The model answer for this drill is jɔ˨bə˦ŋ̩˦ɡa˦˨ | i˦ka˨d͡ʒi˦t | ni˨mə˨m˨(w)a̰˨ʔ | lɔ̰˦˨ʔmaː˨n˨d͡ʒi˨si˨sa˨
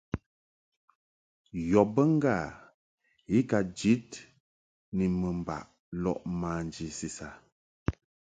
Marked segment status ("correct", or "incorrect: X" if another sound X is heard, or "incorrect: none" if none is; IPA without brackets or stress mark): incorrect: b